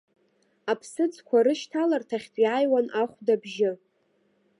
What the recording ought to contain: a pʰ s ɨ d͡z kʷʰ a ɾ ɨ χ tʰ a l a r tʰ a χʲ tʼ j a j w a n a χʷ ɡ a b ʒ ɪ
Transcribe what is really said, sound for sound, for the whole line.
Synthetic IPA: a pʰ s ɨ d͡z kʷʰ a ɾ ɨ ʃ tʰ a l a r tʰ a χʲ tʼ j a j w a n a χʷ d a b ʒ ɪ